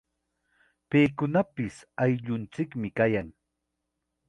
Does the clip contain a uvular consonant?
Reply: no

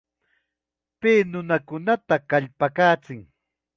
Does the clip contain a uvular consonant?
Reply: no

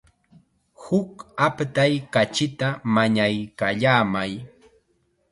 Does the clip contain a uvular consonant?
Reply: no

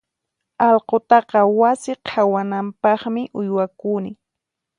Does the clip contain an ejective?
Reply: no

